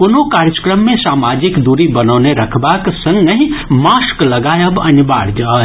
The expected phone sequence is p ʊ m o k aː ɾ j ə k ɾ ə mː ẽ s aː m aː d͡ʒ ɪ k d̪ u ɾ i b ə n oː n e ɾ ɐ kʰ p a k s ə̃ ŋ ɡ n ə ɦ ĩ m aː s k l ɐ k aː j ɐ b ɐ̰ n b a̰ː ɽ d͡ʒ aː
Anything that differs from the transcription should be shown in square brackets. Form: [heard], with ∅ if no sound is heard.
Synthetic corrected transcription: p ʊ [n] o k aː ɾ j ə k ɾ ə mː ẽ s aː m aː d͡ʒ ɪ k d̪ u ɾ i b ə n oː n e ɾ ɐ kʰ [b] a k s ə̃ ŋ ɡ n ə ɦ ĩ m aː s k l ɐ [ɡ] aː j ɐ b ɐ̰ n b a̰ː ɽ d͡ʒ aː